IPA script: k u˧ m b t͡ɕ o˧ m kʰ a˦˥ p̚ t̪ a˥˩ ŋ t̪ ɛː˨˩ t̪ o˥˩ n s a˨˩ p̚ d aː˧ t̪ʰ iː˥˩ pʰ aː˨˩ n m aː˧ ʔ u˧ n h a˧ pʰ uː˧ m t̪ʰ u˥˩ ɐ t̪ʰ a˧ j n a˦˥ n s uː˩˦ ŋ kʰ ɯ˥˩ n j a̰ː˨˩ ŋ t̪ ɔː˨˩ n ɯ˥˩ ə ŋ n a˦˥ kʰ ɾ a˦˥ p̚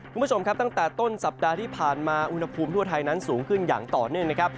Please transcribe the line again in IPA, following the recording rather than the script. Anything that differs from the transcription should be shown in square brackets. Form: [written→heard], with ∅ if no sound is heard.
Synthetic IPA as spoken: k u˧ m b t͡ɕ o˧ m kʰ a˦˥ p̚ t̪ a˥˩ ŋ t̪ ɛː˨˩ t̪ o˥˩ n s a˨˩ p̚ d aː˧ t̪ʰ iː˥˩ pʰ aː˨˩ n m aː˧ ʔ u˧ n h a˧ pʰ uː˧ m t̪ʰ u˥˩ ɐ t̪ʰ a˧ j n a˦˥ n s uː˩˦ ŋ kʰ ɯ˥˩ n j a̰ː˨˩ ŋ t̪ ɔː˨˩ n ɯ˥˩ ə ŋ n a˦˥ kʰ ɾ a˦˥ p̚